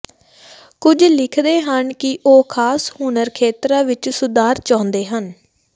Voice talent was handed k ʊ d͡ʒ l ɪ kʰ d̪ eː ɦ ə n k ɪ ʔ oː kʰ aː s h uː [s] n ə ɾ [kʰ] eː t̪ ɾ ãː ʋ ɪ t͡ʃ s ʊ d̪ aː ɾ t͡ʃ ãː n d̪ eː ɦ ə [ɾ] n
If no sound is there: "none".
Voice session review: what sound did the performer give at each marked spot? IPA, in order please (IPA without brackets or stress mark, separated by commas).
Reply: none, kʰ, none